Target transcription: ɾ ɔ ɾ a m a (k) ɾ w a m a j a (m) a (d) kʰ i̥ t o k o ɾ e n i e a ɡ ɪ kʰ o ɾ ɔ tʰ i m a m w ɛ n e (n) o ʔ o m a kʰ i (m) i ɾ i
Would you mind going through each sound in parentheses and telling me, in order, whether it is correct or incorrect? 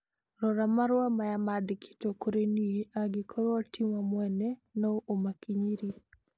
incorrect, correct, correct, correct, incorrect

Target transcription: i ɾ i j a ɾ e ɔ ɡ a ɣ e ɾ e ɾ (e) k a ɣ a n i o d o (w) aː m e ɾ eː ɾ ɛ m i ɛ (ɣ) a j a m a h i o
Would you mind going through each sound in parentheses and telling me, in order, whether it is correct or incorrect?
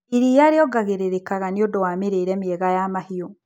correct, correct, correct

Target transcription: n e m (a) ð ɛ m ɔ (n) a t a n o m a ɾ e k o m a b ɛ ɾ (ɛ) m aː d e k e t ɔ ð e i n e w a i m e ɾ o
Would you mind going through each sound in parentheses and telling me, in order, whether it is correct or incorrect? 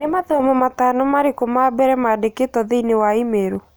correct, incorrect, correct

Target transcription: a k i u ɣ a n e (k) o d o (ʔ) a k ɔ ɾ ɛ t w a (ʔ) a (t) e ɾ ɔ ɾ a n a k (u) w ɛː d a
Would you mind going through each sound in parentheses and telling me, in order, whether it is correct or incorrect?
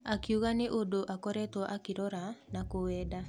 incorrect, correct, correct, incorrect, incorrect

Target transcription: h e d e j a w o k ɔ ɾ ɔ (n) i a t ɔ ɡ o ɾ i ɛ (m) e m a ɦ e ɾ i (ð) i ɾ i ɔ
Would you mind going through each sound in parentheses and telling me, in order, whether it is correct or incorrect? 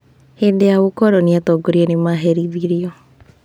correct, incorrect, correct

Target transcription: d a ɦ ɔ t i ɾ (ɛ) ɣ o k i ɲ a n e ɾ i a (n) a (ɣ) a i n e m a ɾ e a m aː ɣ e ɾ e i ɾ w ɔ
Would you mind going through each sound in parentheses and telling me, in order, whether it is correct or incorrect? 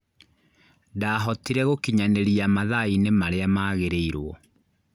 correct, incorrect, incorrect

